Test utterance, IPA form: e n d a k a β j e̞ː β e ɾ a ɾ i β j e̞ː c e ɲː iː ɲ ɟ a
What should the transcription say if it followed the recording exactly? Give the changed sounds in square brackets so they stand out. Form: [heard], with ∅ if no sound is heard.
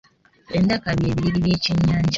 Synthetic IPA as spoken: e n d a k a β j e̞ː β [i] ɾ [i] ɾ i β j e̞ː c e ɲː [aː] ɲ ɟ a